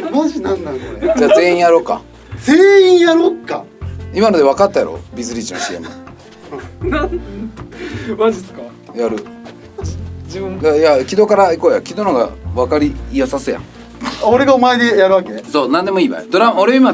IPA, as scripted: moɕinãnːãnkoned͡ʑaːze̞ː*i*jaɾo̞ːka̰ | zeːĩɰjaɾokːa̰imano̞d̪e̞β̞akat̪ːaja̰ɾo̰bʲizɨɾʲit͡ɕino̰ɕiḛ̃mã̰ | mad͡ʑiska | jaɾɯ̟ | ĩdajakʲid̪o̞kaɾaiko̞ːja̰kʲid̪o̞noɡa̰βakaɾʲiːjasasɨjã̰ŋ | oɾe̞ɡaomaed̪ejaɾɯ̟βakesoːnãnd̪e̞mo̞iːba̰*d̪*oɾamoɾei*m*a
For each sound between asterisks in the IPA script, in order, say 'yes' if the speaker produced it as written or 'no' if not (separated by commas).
no, yes, yes